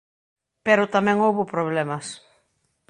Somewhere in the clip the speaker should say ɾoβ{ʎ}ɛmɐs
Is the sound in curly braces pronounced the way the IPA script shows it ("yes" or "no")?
no